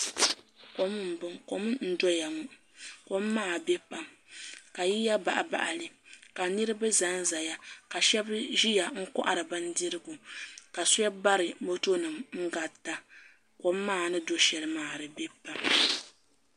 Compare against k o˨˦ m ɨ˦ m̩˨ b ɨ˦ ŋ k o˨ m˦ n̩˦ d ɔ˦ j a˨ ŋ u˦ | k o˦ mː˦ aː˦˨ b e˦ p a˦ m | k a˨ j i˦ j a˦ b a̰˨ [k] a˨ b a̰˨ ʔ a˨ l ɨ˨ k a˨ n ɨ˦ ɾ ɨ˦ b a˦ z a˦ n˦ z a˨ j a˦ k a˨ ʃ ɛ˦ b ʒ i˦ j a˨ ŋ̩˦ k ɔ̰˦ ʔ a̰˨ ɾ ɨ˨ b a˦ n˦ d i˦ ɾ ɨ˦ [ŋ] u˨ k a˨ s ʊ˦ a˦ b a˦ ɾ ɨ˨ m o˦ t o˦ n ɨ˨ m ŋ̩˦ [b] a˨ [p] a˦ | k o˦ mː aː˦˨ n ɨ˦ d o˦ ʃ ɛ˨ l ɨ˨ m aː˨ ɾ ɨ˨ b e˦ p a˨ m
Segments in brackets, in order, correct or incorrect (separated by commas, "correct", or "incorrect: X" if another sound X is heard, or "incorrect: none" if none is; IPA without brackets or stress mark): incorrect: ʔ, incorrect: ɡ, incorrect: ɡ, incorrect: t